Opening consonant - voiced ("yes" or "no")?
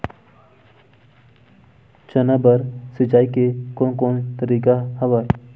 no